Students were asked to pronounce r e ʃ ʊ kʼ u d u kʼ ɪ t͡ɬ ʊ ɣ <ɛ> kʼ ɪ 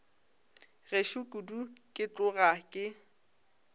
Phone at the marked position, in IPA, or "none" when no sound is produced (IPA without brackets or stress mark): a